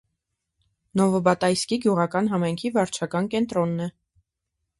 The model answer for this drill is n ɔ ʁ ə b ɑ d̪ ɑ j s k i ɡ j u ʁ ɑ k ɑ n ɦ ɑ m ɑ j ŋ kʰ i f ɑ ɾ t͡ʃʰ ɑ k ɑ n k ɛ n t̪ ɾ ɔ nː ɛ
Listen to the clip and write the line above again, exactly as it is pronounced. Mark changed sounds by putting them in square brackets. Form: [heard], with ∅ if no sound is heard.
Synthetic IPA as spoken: n ɔ [v] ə b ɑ [t̪] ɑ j s k i ɡ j u ʁ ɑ k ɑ n ɦ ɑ m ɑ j ŋ kʰ i [v] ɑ ɾ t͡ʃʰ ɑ k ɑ n k ɛ n t̪ ɾ ɔ nː ɛ